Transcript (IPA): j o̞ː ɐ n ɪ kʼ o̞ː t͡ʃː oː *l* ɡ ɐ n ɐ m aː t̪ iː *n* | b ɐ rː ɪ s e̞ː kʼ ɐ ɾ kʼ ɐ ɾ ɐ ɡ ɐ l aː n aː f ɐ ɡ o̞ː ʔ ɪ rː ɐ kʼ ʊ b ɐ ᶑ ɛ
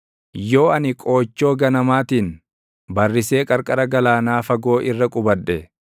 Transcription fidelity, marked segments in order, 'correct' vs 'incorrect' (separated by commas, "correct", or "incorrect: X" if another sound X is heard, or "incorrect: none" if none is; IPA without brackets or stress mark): incorrect: none, correct